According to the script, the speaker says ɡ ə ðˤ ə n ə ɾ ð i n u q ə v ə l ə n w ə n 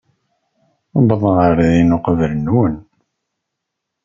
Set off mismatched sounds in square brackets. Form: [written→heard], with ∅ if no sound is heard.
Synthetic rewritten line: [ɡ→b] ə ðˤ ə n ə ɾ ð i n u q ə v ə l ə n w ə n